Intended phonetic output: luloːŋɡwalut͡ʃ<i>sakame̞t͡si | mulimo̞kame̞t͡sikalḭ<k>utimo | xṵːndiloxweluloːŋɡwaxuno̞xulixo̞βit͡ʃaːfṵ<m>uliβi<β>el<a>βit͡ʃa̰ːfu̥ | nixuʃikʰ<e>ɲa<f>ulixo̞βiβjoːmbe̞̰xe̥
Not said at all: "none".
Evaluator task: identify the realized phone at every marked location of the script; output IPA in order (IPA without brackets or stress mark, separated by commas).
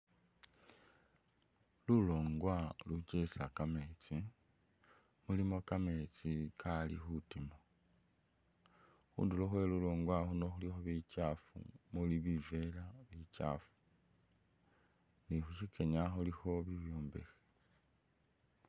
e, x, m, v, a, e, x